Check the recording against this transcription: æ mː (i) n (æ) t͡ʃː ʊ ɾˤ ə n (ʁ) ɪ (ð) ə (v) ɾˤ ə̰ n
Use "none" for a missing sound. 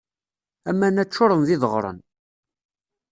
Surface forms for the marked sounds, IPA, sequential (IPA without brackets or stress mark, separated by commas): æ, æ, ð, ð, ʁ